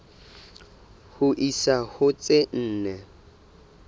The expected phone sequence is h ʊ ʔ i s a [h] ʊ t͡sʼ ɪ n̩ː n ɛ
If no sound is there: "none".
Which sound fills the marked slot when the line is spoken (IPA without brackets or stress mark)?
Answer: h